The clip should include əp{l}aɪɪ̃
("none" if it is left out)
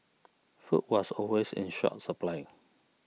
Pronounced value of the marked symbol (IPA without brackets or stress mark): l